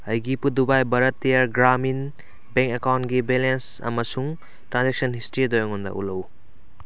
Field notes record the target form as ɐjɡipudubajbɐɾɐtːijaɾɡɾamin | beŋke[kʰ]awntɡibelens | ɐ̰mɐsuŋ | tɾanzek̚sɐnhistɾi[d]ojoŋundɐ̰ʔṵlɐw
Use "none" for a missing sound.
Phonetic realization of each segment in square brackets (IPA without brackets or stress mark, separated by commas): k, d